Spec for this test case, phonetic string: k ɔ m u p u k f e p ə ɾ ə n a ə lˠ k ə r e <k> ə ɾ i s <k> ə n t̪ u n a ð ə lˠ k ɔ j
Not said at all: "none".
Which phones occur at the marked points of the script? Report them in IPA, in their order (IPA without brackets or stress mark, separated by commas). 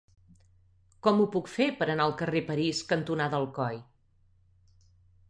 p, k